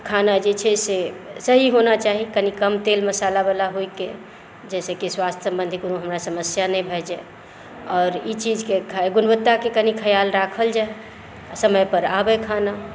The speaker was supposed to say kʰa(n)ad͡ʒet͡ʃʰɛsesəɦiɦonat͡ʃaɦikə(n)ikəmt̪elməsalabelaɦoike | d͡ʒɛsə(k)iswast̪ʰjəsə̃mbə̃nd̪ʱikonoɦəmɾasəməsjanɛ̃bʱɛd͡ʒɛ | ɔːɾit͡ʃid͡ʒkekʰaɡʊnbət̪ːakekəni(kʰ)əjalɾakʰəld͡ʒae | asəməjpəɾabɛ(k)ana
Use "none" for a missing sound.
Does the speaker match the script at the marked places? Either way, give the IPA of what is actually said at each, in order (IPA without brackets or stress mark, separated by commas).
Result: n, n, k, kʰ, kʰ